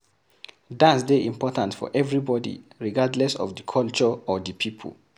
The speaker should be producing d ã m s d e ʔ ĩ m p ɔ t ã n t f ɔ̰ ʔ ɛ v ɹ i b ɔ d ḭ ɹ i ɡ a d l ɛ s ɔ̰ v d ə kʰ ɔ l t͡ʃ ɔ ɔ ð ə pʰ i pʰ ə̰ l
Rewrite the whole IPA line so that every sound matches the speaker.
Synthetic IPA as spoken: d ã n s d e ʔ ĩ m p ɔ t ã n t f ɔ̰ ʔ ɛ v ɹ i b ɔ d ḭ ɹ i ɡ a d l ɛ s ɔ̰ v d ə kʰ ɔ l t͡ʃ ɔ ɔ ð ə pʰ i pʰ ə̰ l